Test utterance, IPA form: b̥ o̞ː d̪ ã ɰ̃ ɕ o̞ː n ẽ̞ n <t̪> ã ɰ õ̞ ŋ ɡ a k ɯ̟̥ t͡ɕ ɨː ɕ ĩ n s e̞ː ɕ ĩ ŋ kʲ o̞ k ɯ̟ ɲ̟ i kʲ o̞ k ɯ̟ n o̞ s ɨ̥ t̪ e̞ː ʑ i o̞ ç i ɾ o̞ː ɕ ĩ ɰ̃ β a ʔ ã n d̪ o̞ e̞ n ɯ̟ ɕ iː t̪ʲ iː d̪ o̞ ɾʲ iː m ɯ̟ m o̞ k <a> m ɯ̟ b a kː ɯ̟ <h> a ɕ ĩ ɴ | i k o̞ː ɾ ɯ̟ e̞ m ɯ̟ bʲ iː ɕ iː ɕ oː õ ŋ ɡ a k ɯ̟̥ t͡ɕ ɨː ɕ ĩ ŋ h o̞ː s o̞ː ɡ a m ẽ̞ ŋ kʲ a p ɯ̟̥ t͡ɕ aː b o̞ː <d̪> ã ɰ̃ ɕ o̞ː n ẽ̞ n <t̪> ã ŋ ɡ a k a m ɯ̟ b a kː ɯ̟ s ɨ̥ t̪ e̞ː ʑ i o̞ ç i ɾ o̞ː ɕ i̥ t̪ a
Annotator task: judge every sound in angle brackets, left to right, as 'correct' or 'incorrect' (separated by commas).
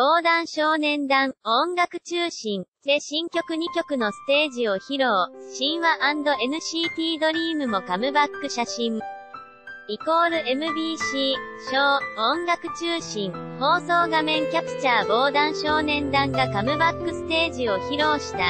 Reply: incorrect, correct, incorrect, correct, incorrect